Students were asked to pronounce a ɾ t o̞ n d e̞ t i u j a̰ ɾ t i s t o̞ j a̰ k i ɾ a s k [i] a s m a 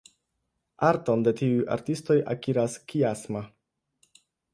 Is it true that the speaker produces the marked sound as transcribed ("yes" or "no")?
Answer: yes